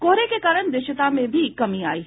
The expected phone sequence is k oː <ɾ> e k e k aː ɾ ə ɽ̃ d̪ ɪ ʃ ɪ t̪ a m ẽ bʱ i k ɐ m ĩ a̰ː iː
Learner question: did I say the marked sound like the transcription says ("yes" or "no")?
yes